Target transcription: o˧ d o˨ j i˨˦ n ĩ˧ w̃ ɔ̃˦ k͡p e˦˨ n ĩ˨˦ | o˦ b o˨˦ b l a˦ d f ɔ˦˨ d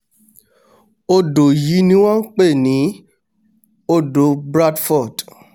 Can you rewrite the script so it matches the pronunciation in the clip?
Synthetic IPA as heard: o˧ d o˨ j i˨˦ n ĩ˧ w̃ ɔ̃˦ k͡p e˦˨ n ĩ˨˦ | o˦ d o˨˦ b ɾ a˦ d f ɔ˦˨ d

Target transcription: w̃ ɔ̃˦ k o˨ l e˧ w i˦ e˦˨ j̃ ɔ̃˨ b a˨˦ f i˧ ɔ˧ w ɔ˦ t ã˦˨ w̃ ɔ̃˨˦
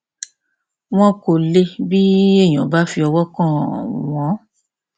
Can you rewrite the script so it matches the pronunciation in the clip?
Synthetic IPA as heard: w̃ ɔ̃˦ k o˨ l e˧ b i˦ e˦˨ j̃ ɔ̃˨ b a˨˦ f i˧ ɔ˧ w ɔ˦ k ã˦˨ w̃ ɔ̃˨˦

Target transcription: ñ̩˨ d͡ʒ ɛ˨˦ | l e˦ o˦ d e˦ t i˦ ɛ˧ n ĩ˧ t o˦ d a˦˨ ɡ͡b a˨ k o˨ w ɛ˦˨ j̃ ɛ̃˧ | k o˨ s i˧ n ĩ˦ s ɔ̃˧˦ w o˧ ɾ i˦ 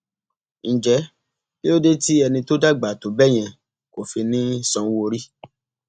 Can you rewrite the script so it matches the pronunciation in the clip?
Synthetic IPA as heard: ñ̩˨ d͡ʒ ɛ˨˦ | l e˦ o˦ d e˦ t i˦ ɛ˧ n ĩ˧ t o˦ d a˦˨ ɡ͡b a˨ t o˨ b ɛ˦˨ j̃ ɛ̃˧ | k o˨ f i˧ n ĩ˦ s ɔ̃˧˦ w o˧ ɾ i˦

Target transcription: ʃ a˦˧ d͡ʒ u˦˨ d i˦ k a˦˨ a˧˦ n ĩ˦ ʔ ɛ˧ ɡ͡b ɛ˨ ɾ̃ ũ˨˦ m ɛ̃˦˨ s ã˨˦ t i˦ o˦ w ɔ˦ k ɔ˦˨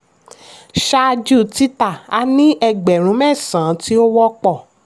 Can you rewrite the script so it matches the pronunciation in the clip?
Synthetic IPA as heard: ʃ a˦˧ d͡ʒ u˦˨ t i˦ t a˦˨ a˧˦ n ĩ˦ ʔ ɛ˧ ɡ͡b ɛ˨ ɾ̃ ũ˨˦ m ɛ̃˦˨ s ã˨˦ t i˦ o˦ w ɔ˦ k͡p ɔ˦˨

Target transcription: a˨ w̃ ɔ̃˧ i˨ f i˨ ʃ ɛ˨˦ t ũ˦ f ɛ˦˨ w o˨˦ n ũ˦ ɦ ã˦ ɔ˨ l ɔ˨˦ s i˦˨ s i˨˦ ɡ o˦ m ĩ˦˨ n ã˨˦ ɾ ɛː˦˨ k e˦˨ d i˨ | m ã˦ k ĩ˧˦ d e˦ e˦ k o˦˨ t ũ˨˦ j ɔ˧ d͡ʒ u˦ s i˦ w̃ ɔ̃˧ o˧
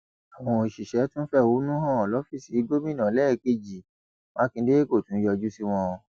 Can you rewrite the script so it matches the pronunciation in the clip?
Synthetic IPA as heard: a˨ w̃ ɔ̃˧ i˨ ʃ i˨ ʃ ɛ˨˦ t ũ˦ f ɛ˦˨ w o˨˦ n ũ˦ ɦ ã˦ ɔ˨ l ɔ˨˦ f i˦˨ s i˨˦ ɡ o˦ m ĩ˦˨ n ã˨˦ l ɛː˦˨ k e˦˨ d͡ʒ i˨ | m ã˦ k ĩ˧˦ d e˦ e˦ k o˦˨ t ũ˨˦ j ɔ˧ d͡ʒ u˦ s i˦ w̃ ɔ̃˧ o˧

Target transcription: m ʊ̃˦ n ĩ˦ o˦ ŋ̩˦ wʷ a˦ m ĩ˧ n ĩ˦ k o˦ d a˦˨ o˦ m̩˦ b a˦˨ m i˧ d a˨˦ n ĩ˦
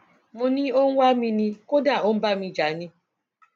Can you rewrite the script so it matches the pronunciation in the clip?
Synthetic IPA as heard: m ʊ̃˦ n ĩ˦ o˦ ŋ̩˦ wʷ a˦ m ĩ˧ n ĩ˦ k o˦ d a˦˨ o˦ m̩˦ b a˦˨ m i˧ d͡ʒ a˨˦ n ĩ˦

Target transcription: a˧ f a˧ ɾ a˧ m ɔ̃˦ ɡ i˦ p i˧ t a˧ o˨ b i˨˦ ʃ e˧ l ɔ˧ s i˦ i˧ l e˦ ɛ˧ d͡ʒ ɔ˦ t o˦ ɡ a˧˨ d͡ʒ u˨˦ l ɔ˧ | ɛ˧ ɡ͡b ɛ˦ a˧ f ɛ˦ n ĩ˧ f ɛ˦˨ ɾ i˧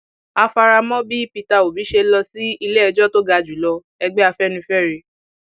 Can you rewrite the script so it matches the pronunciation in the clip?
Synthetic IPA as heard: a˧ f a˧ ɾ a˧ m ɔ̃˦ b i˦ p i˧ t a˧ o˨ b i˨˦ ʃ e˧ l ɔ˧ s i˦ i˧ l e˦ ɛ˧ d͡ʒ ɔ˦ t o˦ ɡ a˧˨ d͡ʒ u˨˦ l ɔ˧ | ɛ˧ ɡ͡b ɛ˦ a˧ f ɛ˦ n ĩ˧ f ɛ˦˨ ɾ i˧

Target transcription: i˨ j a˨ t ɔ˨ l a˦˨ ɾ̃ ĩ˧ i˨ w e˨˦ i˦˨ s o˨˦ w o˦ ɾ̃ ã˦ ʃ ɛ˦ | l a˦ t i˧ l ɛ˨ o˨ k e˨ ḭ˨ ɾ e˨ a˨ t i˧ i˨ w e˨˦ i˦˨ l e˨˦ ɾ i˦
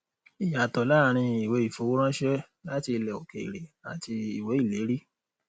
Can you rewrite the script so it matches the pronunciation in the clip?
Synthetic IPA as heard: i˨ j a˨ t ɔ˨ l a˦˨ ɾ̃ ĩ˧ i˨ w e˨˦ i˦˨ f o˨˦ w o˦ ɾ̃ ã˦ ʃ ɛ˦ | l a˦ t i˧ l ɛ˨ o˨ k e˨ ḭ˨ ɾ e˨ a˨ t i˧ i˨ w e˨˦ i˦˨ l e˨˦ ɾ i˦

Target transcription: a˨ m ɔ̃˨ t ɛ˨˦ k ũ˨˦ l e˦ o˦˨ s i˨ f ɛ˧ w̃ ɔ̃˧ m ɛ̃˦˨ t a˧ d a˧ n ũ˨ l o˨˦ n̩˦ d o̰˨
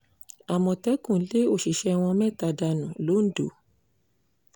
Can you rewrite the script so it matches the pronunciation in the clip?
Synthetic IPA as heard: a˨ m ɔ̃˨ t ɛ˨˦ k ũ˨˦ l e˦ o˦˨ ʃ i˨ ʃ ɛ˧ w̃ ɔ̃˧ m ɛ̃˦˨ t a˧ d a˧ n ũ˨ l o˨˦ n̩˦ d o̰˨

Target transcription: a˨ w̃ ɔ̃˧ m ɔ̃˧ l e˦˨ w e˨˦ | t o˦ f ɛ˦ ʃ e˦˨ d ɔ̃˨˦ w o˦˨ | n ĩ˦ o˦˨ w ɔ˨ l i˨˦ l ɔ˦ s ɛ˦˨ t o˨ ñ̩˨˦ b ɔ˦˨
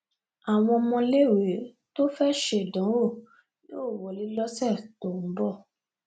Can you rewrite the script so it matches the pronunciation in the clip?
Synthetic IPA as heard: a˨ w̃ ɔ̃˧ m ɔ̃˧ l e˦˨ w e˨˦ | t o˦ f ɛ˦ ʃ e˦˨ d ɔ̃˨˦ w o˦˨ | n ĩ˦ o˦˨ w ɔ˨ l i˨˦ l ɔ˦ s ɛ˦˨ t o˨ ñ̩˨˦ b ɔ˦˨

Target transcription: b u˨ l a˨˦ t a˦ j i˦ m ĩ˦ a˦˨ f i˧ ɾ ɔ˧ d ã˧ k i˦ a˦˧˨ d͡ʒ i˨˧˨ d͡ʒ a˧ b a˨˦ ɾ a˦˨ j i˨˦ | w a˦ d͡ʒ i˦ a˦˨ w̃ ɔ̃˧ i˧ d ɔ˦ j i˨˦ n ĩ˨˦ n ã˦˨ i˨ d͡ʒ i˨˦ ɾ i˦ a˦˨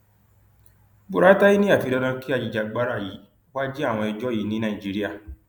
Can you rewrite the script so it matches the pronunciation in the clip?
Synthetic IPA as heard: b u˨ ɾ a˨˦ t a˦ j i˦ n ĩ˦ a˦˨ f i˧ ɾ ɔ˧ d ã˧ k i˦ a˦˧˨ d͡ʒ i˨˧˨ d͡ʒ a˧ ɡ͡b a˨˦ ɾ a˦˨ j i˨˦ | w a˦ d͡ʒ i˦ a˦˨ w̃ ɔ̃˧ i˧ d͡ʒ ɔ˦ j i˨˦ n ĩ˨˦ n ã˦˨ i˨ d͡ʒ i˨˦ ɾ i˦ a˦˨

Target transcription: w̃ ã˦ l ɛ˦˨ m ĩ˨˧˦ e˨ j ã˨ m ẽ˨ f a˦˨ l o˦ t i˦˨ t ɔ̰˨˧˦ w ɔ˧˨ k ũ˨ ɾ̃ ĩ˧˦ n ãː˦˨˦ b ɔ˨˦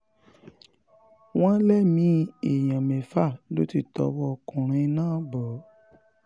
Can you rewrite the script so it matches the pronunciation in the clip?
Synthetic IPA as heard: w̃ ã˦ l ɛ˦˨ m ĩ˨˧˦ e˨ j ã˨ m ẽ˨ f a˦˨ l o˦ t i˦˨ t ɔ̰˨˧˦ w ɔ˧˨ k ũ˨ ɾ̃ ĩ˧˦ n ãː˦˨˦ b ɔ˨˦

